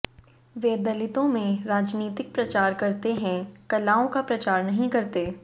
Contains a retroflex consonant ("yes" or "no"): no